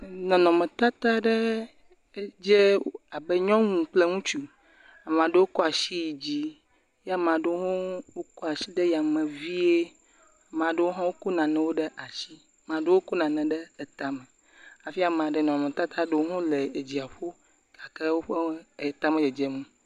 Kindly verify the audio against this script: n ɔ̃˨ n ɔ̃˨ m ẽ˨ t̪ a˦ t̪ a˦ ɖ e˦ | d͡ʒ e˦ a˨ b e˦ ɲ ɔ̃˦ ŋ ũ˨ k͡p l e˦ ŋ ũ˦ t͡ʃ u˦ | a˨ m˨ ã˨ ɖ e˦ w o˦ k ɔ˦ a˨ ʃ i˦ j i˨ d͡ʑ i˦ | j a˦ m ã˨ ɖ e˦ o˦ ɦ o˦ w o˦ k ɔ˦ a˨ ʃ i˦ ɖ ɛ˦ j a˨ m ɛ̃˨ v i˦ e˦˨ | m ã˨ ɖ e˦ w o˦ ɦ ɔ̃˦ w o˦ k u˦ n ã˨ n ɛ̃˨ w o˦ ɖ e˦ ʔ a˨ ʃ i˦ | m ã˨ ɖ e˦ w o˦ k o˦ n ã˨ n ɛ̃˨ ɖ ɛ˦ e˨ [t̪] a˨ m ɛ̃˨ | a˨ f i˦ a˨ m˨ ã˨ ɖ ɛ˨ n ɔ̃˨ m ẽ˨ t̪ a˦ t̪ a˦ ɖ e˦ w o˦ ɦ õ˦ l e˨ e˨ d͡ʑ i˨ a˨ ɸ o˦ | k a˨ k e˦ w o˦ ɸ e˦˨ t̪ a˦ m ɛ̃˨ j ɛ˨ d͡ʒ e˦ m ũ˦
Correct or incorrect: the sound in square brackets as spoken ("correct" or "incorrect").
correct